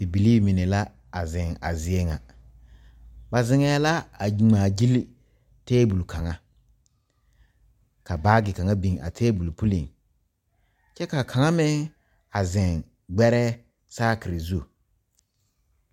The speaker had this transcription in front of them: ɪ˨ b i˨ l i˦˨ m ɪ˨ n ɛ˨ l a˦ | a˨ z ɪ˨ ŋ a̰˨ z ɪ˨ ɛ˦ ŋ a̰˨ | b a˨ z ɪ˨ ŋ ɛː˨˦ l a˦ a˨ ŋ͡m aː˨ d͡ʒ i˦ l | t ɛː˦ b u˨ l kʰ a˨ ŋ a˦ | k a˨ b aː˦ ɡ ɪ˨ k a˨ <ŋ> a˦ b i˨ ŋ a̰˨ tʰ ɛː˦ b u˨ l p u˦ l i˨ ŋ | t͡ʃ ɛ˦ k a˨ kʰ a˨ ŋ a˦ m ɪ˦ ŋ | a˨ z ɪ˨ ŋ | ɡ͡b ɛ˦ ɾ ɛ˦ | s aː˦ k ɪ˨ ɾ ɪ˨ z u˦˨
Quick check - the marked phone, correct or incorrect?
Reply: correct